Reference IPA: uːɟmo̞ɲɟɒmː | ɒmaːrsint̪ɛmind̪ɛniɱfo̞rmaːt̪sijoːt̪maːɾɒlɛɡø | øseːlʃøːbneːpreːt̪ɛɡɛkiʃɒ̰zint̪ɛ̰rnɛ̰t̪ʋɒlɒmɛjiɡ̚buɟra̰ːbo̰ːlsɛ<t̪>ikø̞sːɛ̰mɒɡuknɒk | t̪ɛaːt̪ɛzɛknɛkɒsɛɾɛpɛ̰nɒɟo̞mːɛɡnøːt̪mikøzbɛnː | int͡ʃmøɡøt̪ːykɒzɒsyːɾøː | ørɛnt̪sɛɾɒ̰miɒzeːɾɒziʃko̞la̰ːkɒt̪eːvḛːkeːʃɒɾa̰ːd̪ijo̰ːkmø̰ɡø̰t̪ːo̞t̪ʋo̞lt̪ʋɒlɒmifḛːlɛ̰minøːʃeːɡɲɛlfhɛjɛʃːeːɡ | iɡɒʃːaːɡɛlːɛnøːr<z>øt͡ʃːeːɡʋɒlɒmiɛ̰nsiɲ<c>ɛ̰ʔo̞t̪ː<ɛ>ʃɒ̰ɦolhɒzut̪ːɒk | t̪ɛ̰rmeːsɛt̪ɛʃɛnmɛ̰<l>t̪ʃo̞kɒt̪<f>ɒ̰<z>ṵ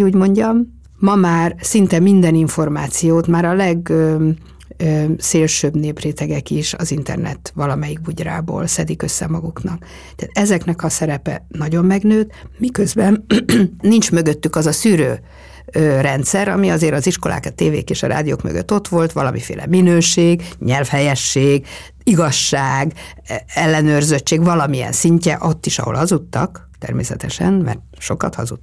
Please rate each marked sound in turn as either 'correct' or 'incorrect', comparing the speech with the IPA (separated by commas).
incorrect, correct, correct, incorrect, incorrect, incorrect, correct